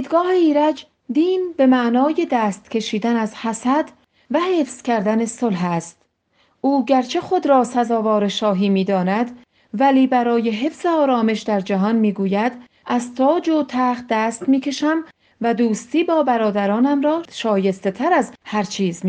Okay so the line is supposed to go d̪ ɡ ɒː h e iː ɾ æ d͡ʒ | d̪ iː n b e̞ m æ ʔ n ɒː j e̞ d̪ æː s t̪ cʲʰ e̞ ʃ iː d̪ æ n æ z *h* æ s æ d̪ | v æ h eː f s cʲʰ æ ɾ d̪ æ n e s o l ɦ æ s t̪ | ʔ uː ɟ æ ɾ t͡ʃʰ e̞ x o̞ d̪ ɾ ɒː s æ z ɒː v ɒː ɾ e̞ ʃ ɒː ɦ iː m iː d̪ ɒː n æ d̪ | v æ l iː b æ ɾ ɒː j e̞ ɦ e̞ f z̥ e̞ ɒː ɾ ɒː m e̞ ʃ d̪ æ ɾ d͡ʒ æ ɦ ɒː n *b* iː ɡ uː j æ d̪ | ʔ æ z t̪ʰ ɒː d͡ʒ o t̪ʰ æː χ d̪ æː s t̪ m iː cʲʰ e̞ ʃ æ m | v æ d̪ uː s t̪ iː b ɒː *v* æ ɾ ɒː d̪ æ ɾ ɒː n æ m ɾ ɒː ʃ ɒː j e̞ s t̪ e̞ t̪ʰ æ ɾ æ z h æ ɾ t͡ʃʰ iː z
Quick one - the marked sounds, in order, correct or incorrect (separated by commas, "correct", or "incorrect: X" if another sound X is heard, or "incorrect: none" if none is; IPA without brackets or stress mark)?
correct, incorrect: m, incorrect: b